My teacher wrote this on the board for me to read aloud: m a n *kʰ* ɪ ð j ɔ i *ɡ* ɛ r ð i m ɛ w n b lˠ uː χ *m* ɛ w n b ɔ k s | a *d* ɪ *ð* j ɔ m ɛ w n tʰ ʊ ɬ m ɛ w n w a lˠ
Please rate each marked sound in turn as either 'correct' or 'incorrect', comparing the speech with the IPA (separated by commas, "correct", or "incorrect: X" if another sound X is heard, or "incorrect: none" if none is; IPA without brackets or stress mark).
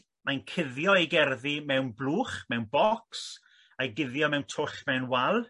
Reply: correct, correct, correct, incorrect: ɡ, correct